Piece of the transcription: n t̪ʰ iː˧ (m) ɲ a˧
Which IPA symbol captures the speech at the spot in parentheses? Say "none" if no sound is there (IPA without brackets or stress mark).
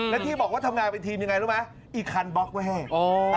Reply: m